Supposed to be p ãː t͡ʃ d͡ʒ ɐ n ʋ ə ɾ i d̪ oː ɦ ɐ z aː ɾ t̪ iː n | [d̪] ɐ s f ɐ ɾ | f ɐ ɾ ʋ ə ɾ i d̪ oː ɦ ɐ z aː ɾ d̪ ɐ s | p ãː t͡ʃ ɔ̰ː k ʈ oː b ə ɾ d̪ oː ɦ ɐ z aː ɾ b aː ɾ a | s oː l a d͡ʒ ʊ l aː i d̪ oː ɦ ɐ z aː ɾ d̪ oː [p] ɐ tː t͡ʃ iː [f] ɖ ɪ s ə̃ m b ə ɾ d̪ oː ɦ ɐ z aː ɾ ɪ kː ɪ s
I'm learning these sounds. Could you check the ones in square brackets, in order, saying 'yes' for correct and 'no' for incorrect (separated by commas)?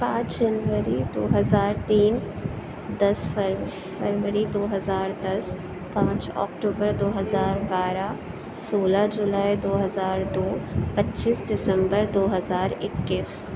yes, yes, no